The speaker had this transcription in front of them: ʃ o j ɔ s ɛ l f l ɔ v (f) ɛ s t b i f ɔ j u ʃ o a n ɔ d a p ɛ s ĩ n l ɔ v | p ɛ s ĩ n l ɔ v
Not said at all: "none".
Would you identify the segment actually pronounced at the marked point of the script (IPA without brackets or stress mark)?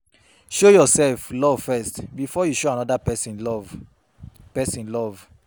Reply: f